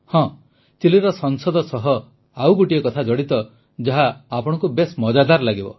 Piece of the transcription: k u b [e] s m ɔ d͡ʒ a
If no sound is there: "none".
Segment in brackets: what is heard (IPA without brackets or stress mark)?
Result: e